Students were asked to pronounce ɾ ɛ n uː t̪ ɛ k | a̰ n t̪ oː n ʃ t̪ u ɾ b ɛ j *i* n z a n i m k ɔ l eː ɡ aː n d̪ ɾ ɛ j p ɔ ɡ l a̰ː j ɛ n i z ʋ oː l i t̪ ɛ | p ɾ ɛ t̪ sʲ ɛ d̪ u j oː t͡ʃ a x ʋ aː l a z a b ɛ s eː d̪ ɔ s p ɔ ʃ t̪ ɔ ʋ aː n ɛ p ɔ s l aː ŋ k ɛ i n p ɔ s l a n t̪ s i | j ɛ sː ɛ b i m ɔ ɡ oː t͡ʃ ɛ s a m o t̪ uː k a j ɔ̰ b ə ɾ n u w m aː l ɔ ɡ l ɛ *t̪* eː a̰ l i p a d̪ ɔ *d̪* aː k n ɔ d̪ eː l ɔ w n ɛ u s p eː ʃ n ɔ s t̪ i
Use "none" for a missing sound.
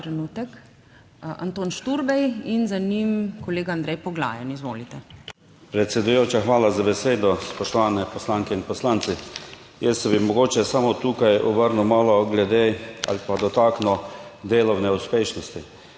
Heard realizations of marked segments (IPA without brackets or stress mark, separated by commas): i, d̪, t̪